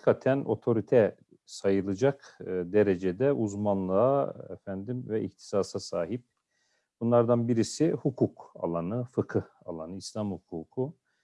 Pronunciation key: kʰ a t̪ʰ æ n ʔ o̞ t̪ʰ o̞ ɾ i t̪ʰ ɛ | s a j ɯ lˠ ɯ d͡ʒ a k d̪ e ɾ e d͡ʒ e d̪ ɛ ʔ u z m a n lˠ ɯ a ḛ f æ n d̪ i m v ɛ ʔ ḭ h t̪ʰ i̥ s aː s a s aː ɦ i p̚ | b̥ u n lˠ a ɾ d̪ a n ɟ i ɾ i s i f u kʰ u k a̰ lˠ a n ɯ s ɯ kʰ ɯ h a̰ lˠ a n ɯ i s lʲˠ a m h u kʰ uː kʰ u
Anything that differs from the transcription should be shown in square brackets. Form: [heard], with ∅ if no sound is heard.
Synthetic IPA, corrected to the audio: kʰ a t̪ʰ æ n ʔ o̞ t̪ʰ o̞ ɾ i t̪ʰ ɛ | s a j ɯ lˠ ɯ d͡ʒ a k d̪ e ɾ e d͡ʒ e d̪ ɛ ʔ u z m a n lˠ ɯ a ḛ f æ n d̪ i m v ɛ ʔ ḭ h t̪ʰ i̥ s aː s a s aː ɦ i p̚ | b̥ u n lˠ a ɾ d̪ a n [b] i ɾ i s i [h] u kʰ u k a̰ lˠ a n ɯ [f] ɯ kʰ ɯ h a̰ lˠ a n ɯ i s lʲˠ a m h u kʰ uː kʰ u